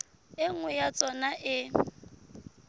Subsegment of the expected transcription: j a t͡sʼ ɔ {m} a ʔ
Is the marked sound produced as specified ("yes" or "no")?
no